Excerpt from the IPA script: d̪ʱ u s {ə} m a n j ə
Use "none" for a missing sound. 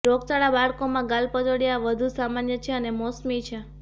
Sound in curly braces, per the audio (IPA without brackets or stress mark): a